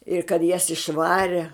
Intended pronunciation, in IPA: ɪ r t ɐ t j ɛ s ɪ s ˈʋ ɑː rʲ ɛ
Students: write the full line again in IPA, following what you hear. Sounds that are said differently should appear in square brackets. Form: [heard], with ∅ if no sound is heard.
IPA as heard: ɪ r [k] ɐ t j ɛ s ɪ [ʃ] ˈʋ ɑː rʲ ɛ